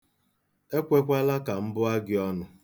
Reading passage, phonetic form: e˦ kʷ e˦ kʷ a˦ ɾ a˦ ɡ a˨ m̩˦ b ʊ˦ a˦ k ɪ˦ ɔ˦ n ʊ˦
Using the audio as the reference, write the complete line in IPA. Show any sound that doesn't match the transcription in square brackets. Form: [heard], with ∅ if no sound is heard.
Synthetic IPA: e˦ kʷ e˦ kʷ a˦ [l] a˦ [k] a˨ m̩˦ b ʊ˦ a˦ [ɡ] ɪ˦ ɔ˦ n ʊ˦